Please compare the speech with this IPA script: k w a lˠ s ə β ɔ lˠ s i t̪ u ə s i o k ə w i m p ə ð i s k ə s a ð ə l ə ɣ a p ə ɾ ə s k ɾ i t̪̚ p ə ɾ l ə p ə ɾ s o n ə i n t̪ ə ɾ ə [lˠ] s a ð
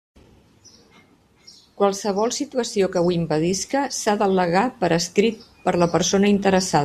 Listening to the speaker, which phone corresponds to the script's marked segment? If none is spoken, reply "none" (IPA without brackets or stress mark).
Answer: none